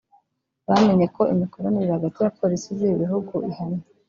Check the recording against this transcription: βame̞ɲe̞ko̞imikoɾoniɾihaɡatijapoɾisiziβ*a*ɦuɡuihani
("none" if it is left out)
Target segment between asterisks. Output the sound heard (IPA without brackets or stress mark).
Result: i